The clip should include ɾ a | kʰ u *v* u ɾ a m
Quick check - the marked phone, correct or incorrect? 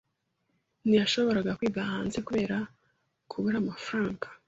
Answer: incorrect